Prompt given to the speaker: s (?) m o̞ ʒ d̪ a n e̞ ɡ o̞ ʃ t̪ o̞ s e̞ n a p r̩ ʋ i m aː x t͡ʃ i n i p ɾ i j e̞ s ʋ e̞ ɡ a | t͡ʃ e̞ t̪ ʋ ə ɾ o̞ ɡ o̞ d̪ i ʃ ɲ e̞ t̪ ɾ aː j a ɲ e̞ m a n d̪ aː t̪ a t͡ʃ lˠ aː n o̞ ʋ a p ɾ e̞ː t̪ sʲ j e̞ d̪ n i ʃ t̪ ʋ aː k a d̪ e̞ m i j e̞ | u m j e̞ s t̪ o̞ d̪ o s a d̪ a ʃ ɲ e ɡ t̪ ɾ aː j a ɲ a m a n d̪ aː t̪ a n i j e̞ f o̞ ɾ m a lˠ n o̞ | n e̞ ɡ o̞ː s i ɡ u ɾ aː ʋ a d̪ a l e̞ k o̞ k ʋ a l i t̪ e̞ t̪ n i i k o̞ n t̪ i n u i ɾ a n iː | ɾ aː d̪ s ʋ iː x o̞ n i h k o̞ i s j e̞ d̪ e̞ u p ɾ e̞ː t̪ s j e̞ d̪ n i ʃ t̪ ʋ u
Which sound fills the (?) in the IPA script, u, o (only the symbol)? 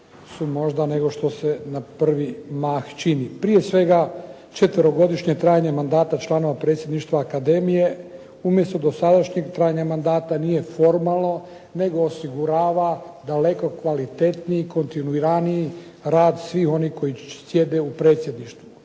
u